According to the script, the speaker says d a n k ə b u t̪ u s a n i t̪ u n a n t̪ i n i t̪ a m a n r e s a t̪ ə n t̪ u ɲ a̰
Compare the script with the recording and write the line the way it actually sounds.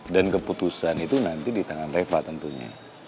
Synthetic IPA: d a n k ə p u t̪ u s a n i t̪ u n a n t̪ i d i t̪ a ŋ a n r e f a t̪ ə n t̪ u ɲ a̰